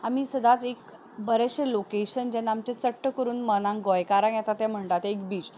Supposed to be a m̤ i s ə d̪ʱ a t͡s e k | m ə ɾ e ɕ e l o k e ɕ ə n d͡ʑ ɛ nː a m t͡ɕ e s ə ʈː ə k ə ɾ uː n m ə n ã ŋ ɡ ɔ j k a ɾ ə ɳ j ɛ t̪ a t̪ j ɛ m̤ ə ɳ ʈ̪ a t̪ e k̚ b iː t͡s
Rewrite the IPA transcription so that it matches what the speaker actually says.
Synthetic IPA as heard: a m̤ i s ə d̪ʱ a t͡s e k | b ə ɾ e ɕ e l o k e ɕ ə n d͡ʑ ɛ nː a m t͡ɕ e t͡s ə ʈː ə k ə ɾ uː n m ə n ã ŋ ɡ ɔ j k a ɾ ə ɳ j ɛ t̪ a t̪ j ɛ m̤ ə ɳ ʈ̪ a t̪ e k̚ b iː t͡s